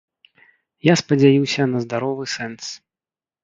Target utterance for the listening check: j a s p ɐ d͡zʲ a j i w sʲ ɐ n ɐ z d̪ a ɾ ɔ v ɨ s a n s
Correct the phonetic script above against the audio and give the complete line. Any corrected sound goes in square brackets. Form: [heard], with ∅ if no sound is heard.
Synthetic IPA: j a s p ɐ d͡zʲ a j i w sʲ ɐ n ɐ z d̪ a ɾ ɔ v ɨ s [ɛ] n s